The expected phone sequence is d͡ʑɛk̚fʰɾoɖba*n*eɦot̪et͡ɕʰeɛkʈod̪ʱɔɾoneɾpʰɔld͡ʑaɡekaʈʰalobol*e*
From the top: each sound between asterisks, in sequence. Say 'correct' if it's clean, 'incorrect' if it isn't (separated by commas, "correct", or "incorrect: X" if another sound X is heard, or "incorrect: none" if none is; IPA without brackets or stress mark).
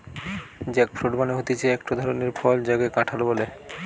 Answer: correct, correct